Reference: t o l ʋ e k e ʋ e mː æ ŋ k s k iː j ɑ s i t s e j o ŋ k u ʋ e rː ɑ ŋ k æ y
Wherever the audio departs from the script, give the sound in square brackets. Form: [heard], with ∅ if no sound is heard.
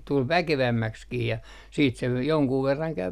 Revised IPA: t [u] l ʋ [æ] k e ʋ [æ] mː æ [∅] k s k iː j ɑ s [iː] t s e j o ŋ k [uː] ʋ e rː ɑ ŋ k æ y